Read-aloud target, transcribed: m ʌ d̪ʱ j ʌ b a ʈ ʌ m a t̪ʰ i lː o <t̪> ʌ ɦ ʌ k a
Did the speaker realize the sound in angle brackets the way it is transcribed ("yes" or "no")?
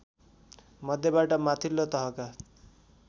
yes